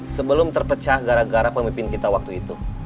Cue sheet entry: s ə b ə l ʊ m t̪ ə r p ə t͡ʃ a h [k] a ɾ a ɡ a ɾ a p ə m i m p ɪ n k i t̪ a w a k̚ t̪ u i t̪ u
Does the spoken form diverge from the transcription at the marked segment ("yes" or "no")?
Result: yes